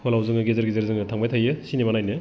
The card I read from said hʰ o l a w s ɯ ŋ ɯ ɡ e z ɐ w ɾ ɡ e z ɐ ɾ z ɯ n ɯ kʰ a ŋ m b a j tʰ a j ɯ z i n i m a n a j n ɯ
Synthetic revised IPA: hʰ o l a w z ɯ ŋ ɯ ɡ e z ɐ ɾ ɡ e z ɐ ɾ z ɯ ŋ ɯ tʰ a ŋ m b a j tʰ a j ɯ s i n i m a n a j n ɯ